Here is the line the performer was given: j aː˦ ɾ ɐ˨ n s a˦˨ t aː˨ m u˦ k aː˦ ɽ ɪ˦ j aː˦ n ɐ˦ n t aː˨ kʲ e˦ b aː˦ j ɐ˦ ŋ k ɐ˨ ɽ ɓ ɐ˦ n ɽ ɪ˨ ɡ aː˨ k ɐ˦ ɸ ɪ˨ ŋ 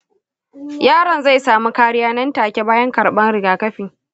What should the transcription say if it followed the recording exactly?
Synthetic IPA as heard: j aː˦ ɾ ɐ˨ n z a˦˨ s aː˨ m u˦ k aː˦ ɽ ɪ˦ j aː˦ n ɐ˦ n t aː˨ kʲ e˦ b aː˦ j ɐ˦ ŋ k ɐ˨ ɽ ɓ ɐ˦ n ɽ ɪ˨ ɡ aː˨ k ɐ˦ ɸ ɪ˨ ŋ